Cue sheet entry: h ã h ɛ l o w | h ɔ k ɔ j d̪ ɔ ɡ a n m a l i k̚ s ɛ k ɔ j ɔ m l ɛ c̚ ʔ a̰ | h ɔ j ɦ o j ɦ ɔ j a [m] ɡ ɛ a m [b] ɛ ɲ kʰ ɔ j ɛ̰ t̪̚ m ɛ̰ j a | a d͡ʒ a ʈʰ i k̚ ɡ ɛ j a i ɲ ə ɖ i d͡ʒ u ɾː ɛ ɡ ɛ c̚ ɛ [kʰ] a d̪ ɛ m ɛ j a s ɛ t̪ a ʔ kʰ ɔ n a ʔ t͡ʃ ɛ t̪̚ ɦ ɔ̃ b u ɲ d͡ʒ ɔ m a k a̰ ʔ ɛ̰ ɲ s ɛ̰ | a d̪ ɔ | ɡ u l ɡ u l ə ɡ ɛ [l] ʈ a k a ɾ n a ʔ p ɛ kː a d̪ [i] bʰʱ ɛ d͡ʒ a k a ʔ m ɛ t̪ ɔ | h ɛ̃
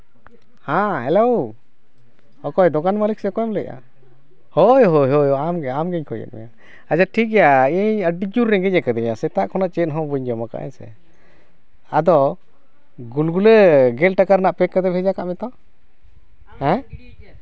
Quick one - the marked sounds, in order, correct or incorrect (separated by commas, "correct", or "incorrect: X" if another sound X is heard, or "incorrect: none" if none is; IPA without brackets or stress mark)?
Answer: correct, incorrect: ɡ, incorrect: k, correct, incorrect: ɛ